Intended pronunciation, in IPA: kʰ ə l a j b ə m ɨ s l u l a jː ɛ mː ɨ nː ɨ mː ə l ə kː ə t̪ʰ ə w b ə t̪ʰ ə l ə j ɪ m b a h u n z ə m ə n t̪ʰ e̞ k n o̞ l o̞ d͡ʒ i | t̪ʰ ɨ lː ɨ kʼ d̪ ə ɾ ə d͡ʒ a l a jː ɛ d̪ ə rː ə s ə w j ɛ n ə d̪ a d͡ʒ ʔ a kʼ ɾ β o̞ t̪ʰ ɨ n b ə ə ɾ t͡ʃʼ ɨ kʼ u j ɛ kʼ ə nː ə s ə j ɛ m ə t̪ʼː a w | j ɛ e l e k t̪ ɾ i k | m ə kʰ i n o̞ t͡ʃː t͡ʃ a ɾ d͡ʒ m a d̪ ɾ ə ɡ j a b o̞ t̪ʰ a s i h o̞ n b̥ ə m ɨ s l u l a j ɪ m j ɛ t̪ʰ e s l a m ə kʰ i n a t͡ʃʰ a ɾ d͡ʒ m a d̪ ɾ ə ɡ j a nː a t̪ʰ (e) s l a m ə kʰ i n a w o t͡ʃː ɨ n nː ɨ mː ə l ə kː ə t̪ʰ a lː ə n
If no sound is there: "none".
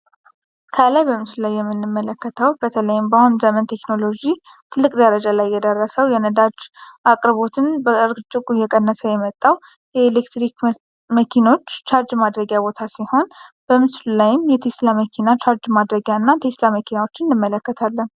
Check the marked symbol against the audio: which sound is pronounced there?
e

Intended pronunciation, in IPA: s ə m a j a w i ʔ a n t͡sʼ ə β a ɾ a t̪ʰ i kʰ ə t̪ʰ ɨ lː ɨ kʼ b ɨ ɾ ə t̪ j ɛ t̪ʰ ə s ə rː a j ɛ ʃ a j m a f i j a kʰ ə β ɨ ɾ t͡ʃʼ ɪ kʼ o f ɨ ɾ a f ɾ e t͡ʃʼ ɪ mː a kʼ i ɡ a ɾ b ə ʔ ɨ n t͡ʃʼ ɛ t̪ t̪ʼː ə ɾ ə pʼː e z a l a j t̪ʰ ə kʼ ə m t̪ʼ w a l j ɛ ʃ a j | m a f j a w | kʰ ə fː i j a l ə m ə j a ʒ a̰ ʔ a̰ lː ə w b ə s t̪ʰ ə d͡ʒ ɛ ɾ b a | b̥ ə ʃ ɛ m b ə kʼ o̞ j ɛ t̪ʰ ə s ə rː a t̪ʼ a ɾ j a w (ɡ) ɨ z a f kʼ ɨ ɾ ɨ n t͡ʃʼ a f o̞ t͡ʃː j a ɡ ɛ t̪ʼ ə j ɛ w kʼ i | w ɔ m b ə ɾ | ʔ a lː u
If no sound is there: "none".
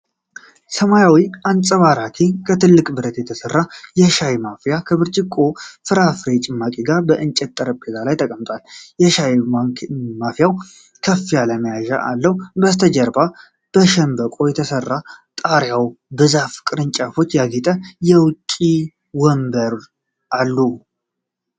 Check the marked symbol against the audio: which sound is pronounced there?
b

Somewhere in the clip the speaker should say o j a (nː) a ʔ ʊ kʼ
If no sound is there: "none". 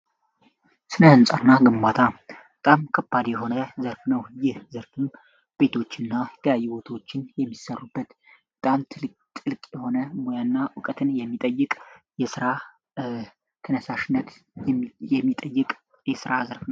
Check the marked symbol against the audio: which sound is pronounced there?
nː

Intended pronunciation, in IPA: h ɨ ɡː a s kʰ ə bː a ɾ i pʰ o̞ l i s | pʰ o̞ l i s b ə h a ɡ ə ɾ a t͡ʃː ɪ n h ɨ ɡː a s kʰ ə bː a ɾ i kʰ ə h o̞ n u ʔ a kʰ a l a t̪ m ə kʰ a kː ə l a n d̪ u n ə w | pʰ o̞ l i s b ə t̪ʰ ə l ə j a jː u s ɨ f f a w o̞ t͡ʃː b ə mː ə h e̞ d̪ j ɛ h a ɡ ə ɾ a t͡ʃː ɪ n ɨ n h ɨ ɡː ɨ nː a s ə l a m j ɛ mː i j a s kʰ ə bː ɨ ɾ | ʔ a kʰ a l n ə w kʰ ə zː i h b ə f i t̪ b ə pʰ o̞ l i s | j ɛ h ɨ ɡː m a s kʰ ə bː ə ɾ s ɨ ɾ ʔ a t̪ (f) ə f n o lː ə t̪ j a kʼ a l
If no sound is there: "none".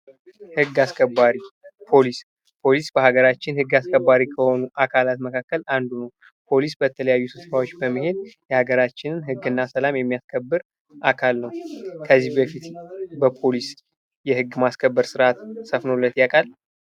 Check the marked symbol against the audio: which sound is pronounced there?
s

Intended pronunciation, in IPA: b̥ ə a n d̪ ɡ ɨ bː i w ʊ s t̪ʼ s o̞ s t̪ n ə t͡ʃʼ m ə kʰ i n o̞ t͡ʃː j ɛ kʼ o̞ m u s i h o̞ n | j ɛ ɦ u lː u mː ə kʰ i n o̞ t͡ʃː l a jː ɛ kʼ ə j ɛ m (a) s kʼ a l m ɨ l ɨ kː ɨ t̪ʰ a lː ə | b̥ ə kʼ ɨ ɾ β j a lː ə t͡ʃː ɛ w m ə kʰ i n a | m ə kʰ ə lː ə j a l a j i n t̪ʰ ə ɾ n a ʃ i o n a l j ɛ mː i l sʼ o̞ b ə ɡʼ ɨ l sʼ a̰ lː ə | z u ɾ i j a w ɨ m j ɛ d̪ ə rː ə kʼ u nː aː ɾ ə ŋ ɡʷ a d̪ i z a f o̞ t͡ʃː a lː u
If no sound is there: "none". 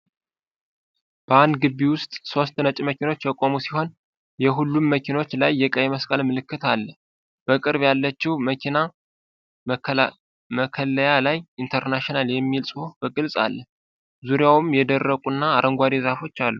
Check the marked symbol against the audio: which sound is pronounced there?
ə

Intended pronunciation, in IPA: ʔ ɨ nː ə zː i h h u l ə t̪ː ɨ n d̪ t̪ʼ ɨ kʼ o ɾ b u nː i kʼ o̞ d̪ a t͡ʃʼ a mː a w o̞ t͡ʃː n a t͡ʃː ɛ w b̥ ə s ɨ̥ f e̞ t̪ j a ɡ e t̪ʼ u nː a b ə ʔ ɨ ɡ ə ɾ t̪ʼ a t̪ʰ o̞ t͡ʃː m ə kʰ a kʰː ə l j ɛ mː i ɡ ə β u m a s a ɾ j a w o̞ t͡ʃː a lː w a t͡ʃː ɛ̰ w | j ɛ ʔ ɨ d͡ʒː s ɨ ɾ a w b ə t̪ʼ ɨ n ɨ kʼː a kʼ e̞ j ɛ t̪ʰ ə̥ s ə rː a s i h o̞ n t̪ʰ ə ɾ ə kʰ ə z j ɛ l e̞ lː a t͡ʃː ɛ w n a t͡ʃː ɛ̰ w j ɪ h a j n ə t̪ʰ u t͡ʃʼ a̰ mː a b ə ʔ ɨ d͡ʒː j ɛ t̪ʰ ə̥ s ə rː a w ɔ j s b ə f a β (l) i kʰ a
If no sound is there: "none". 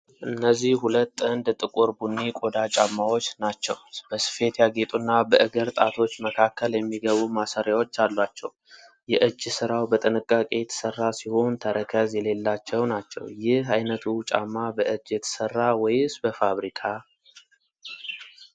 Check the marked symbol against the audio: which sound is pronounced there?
ɾ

